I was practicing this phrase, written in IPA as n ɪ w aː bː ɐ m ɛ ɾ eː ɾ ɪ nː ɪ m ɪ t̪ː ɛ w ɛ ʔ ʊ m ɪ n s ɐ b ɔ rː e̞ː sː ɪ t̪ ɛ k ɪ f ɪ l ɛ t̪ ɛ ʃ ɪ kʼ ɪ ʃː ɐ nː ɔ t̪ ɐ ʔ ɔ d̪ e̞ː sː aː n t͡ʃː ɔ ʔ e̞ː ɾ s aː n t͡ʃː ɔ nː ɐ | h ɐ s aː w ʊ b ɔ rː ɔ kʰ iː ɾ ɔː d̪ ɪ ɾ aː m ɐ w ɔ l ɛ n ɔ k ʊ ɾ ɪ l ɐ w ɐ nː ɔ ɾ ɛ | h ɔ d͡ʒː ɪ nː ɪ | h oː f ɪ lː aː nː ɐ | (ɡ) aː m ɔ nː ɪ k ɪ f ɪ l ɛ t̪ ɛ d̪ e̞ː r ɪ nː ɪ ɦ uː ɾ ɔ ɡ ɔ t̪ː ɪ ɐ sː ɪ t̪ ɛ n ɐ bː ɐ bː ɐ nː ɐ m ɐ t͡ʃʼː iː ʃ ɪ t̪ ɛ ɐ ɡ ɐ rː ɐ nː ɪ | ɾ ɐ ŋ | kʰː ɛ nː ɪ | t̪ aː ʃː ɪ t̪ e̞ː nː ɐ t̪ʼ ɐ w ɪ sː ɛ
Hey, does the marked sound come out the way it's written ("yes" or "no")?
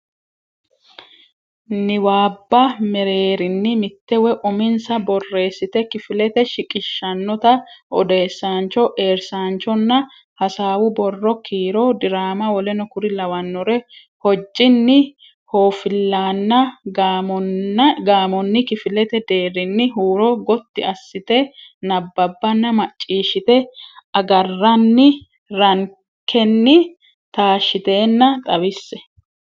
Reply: yes